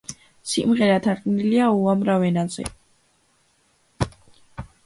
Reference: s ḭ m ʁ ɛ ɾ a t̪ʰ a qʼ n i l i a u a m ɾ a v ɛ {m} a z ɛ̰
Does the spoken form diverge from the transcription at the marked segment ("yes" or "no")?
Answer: yes